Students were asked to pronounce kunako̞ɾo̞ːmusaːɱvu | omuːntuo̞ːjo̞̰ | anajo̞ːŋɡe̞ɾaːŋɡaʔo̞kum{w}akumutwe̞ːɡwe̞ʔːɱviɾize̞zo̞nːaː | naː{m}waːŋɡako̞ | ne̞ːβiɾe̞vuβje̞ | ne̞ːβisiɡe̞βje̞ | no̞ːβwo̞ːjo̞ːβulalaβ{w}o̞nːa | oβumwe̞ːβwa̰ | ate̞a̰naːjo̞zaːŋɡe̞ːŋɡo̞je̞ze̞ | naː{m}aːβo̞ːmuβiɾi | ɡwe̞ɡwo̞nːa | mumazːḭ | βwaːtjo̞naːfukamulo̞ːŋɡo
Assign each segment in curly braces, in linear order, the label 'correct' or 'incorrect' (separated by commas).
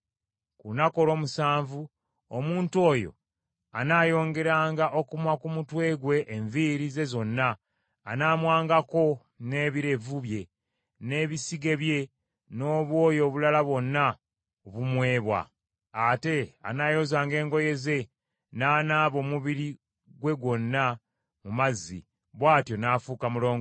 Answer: correct, correct, correct, incorrect